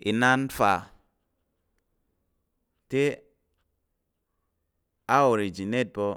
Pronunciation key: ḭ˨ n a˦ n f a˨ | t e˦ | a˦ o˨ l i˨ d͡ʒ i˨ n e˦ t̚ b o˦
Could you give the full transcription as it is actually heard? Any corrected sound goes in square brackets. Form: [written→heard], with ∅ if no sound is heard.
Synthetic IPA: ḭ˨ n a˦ n f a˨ | t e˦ | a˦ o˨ [l→ɾ] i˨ d͡ʒ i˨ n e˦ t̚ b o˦